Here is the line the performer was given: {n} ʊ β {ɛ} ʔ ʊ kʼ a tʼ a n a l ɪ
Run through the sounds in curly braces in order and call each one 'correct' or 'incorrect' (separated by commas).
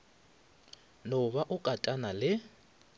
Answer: correct, incorrect